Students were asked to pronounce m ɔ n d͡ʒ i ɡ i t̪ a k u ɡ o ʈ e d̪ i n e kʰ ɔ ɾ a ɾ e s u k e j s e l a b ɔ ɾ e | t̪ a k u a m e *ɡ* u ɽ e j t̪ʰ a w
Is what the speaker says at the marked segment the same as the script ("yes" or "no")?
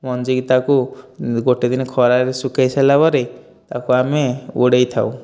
no